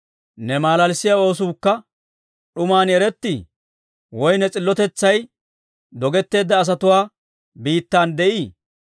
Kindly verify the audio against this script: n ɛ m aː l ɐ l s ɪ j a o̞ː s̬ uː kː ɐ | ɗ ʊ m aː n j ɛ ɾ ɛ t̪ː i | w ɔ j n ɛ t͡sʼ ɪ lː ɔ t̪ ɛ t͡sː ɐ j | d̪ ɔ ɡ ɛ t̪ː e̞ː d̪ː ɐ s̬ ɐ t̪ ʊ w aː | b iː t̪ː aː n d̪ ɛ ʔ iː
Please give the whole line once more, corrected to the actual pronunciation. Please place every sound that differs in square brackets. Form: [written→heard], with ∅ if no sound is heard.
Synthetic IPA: n ɛ m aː l ɐ l s ɪ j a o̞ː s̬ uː kː ɐ | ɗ ʊ m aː n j ɛ ɾ ɛ t̪ː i | w ɔ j n ɛ t͡sʼ ɪ lː ɔ t̪ ɛ t͡sː ɐ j | d̪ ɔ ɡ ɛ t̪ː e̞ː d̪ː [ɐ→ɐː] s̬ ɐ t̪ ʊ w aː | b iː t̪ː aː n d̪ ɛ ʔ iː